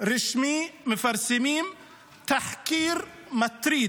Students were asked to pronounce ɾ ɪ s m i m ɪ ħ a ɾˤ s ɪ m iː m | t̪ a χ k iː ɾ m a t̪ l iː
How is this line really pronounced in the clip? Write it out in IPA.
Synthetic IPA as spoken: ɾ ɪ ʃ m i m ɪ f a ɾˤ s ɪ m iː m | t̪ a ħ k iː ɾ m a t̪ ɾ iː